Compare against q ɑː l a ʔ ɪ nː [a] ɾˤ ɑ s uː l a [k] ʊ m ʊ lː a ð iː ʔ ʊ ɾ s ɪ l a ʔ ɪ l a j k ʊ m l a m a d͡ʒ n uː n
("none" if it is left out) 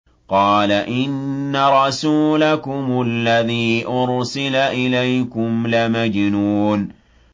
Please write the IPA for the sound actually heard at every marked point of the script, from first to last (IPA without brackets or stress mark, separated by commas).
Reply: a, k